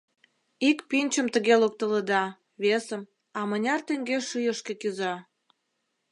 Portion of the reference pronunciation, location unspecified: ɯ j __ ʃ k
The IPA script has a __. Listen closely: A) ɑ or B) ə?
B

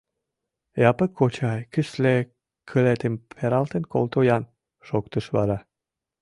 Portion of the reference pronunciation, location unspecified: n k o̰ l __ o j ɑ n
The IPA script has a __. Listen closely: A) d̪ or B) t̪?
B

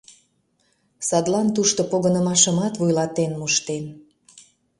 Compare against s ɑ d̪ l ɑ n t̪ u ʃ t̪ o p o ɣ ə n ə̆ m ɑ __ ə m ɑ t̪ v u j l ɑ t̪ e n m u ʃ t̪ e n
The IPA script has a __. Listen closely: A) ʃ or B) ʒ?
A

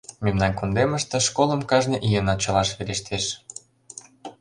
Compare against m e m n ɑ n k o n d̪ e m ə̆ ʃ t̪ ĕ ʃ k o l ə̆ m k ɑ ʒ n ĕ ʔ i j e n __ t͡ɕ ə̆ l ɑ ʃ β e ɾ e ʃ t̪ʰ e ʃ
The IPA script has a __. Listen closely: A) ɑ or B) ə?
A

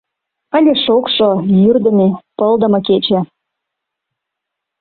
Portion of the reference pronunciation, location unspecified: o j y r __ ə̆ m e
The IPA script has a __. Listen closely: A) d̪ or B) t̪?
A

